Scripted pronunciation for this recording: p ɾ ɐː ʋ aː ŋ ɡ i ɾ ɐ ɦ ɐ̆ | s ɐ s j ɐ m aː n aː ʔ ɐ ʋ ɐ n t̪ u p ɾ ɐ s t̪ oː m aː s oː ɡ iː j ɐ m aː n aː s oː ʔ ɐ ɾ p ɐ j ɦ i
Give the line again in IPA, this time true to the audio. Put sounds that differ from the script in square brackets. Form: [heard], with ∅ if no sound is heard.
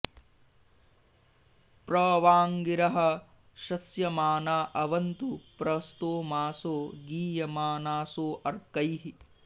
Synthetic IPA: p ɾ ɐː ʋ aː ŋ ɡ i ɾ ɐ ɦ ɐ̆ | [ʃ] ɐ s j ɐ m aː n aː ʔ ɐ ʋ ɐ n t̪ u p ɾ ɐ s t̪ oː m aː s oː ɡ iː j ɐ m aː n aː s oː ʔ ɐ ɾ [k] ɐ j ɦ i

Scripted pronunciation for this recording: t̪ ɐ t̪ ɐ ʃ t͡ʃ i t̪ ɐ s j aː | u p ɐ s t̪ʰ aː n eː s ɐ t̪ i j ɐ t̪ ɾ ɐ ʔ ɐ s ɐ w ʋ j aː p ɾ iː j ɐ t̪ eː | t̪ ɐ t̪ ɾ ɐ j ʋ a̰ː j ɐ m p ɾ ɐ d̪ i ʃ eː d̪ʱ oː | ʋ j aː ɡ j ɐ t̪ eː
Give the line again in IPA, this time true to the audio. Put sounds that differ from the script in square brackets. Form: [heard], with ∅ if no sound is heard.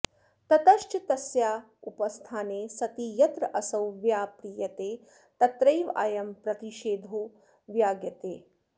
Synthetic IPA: t̪ ɐ t̪ ɐ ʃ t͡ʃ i t̪ ɐ s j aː | u p ɐ s t̪ʰ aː n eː s ɐ t̪ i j ɐ t̪ ɾ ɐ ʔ ɐ s ɐ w ʋ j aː p ɾ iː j ɐ t̪ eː | t̪ ɐ t̪ ɾ ɐ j ʋ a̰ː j ɐ m p ɾ ɐ [t̪] i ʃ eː d̪ʱ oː | ʋ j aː ɡ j ɐ t̪ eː

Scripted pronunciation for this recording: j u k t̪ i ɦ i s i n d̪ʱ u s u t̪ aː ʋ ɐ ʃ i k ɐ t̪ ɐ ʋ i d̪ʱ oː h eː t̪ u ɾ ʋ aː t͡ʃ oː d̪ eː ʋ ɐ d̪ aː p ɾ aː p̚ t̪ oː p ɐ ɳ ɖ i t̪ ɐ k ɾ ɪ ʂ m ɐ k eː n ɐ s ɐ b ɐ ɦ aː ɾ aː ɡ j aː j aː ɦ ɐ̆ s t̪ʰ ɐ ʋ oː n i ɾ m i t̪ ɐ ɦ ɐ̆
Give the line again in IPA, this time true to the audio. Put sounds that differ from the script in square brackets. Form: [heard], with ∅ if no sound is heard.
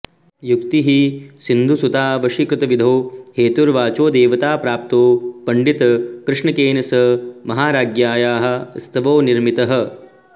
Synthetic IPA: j u k t̪ i ɦ i s i n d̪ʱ u s u t̪ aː ʋ ɐ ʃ i k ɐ t̪ ɐ ʋ i d̪ʱ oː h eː t̪ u ɾ ʋ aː t͡ʃ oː d̪ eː ʋ ɐ [t̪] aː p ɾ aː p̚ t̪ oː p ɐ ɳ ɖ i t̪ ɐ k ɾ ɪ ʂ [ɳ] ɐ k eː n ɐ s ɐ [m] ɐ ɦ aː ɾ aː ɡ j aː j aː ɦ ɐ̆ s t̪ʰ ɐ ʋ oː n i ɾ m i t̪ ɐ ɦ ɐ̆

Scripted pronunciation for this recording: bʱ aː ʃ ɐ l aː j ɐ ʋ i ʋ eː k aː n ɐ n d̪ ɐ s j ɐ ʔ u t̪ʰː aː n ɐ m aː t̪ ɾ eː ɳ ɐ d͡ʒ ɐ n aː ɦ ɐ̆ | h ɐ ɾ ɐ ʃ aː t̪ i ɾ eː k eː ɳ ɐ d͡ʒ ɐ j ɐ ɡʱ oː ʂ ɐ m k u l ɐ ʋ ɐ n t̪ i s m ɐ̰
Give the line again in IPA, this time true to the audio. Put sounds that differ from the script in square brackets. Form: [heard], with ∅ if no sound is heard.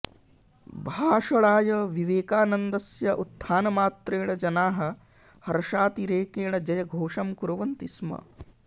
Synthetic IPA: bʱ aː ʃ ɐ [ɭ] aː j ɐ ʋ i ʋ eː k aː n ɐ n d̪ ɐ s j ɐ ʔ u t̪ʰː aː n ɐ m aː t̪ ɾ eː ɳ ɐ d͡ʒ ɐ n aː ɦ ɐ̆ | h ɐ ɾ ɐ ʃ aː t̪ i ɾ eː k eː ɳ ɐ d͡ʒ ɐ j ɐ ɡʱ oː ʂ ɐ m k u [ɾ] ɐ ʋ ɐ n t̪ i s m ɐ̰

